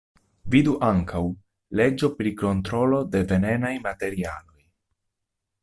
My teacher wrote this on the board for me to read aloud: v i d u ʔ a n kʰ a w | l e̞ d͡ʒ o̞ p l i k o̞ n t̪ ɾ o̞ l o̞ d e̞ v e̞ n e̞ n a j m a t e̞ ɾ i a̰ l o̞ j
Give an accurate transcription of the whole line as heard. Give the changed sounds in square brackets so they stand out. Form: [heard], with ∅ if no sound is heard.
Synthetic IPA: v i d u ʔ a [ŋ] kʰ a w | l e̞ d͡ʒ o̞ p [ɾ] i k o̞ n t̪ ɾ o̞ l o̞ d e̞ v e̞ n e̞ n a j m a t e̞ ɾ i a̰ l o̞ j